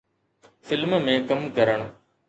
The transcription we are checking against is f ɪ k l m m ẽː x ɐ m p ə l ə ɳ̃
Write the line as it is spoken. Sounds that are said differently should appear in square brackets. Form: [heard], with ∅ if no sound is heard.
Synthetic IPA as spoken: f ɪ [∅] l m m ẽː [k] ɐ m [k] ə [ɾ] ə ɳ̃